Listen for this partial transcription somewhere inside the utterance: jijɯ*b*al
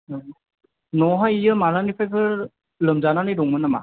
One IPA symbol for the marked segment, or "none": m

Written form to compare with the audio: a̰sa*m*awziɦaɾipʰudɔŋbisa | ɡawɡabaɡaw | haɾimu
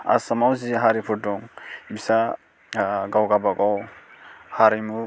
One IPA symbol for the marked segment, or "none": m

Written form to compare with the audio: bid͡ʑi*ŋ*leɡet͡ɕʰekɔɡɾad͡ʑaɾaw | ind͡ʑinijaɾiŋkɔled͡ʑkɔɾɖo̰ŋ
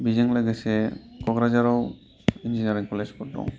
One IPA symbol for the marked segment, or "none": ŋ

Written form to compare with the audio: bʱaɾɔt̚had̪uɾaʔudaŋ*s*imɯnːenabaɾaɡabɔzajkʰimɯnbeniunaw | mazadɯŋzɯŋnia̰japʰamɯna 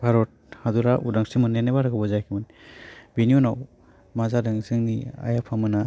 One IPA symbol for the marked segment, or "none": s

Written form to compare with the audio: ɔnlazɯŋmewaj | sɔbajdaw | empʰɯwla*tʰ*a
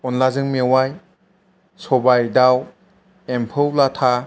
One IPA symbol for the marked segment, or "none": tʰ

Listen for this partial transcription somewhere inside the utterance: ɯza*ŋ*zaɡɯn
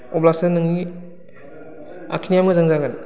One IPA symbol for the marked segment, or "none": ŋ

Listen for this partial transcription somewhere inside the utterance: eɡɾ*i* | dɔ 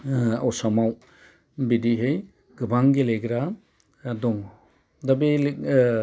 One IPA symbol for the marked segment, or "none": a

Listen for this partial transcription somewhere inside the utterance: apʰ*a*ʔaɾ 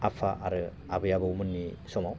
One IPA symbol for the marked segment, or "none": a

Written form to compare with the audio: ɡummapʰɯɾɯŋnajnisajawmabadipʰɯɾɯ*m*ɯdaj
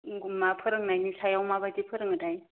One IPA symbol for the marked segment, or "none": ŋ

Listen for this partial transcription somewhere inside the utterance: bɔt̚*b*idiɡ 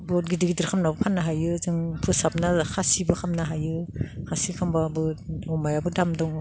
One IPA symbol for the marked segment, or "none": ɡ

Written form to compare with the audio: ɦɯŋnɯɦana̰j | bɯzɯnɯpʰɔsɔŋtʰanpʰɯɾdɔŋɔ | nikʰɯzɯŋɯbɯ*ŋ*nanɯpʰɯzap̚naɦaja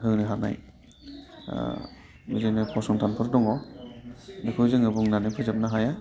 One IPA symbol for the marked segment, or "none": ŋ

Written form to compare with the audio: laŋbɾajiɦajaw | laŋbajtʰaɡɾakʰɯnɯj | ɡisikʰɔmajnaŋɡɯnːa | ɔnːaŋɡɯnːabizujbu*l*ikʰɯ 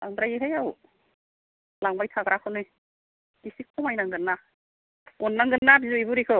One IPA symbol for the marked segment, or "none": ɾ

